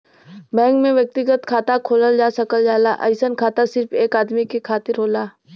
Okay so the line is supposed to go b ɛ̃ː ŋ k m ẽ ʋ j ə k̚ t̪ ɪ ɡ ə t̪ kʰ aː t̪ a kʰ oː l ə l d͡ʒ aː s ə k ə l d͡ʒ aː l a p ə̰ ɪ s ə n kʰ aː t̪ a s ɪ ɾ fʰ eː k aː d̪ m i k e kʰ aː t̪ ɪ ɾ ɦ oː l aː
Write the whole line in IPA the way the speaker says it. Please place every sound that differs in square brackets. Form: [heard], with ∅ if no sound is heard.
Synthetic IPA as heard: b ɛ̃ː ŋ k m ẽ ʋ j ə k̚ t̪ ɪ ɡ ə t̪ kʰ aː t̪ a kʰ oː l ə l d͡ʒ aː s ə k ə l d͡ʒ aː l a [ʔ] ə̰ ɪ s ə n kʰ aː t̪ a s ɪ ɾ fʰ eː k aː d̪ m i k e kʰ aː t̪ ɪ ɾ ɦ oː l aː